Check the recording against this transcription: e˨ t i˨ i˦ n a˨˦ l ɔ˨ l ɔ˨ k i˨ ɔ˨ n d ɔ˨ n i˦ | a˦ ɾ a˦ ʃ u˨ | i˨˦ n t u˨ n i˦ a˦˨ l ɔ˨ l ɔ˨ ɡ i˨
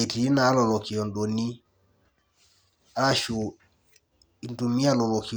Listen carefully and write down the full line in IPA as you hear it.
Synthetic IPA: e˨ t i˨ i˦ n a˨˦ l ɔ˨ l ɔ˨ k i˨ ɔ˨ n d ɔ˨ n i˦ | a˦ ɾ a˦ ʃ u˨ | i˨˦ n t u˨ m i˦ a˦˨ l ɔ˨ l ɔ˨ k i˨